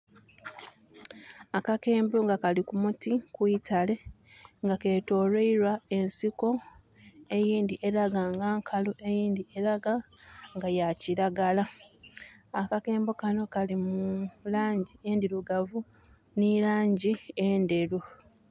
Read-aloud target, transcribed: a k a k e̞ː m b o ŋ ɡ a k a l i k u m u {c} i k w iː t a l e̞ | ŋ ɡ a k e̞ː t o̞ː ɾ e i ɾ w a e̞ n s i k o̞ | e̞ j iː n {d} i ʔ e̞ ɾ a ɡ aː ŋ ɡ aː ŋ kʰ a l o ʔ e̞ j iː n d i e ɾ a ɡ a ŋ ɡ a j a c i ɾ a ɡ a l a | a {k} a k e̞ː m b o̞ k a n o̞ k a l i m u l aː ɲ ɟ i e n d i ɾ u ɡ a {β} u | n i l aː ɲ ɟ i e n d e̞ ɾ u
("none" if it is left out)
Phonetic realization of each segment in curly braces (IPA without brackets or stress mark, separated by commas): t, d, k, v